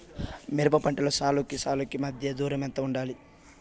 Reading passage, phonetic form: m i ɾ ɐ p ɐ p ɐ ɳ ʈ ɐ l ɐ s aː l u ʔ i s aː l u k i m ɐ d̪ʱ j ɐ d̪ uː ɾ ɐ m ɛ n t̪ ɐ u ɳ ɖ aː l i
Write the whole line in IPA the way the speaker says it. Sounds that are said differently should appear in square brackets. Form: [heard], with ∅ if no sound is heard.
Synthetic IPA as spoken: m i ɾ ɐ p ɐ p ɐ ɳ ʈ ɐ l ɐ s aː l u [k] i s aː l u k i m ɐ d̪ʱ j ɐ d̪ uː ɾ ɐ m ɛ n t̪ ɐ u ɳ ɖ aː l i